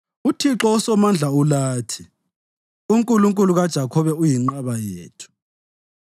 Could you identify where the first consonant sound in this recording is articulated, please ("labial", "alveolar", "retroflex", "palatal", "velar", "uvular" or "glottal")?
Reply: alveolar